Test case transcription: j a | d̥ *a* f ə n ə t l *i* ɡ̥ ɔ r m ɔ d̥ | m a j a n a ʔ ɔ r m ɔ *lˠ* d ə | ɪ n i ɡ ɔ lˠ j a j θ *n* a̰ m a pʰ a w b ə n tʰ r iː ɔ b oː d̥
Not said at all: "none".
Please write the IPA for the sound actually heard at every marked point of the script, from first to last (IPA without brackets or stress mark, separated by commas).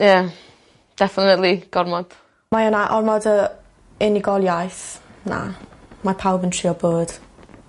ɛ, i, none, n